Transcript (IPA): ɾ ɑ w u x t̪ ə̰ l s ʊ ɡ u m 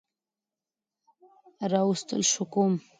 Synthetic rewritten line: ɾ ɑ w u s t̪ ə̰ l ʃ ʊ k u m